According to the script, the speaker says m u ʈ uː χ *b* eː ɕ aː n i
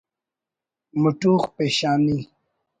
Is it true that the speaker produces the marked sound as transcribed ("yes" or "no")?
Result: no